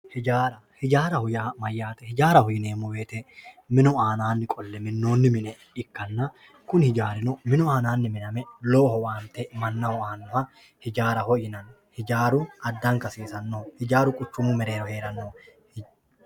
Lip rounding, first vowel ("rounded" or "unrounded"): unrounded